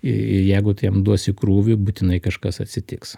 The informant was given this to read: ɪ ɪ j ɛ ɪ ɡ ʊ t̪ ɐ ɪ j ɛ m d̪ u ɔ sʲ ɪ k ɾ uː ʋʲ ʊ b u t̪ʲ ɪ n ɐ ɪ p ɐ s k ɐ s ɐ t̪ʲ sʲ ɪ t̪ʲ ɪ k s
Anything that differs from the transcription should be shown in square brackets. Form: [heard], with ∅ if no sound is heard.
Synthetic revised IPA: ɪ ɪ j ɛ ɪ ɡ ʊ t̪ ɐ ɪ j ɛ m d̪ u ɔ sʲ ɪ k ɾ uː ʋʲ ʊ b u t̪ʲ ɪ n ɐ ɪ [k] ɐ [ʃ] k ɐ s ɐ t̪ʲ sʲ ɪ t̪ʲ ɪ k s